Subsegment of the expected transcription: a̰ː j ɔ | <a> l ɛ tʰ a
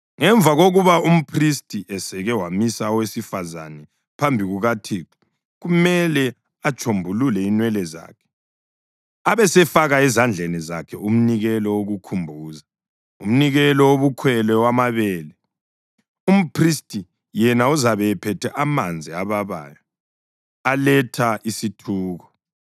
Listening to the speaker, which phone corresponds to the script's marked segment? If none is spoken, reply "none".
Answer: a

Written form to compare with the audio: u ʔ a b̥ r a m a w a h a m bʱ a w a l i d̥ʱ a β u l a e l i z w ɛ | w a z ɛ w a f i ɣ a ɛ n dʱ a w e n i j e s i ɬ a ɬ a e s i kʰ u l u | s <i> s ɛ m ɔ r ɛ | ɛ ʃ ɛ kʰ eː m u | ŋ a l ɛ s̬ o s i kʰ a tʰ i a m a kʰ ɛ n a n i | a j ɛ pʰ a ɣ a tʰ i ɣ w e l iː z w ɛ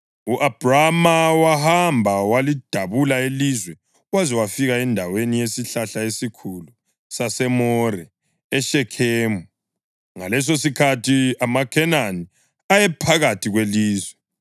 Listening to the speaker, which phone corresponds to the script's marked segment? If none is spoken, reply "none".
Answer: a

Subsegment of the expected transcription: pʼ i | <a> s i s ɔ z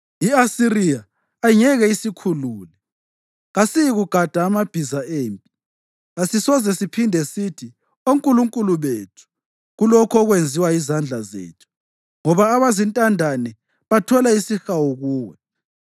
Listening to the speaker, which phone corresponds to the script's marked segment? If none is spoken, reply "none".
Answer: a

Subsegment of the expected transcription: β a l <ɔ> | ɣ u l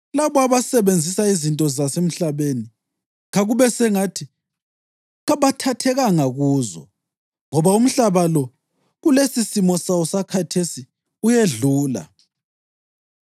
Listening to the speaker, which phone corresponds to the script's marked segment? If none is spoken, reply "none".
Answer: ɔ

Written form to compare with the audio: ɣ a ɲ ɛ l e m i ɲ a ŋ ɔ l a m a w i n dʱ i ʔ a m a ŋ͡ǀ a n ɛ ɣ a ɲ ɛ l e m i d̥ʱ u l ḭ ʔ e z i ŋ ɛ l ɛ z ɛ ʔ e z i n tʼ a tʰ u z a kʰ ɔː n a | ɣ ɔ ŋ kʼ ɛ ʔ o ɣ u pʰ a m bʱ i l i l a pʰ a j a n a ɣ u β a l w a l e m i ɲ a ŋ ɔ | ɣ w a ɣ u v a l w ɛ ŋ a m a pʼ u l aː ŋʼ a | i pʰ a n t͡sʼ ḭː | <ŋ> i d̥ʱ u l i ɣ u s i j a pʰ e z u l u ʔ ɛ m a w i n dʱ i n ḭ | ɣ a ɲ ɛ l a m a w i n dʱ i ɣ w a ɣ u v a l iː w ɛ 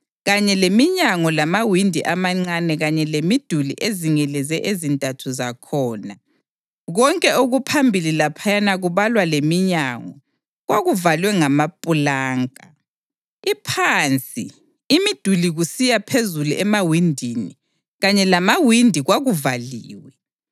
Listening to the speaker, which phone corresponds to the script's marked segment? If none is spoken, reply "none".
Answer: m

